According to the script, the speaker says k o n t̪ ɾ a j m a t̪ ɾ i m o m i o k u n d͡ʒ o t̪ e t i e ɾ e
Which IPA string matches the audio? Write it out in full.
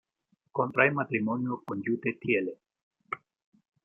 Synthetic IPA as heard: k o n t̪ ɾ a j m a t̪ ɾ i m o n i o k o n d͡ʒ u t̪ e t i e l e